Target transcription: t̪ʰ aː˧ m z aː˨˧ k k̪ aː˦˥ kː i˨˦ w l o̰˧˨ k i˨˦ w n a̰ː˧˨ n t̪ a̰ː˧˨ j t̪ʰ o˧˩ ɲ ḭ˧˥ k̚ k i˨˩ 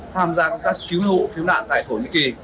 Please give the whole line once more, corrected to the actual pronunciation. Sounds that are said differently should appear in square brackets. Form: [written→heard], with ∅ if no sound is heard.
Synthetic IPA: t̪ʰ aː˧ m z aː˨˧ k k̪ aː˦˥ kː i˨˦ w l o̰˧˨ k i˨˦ w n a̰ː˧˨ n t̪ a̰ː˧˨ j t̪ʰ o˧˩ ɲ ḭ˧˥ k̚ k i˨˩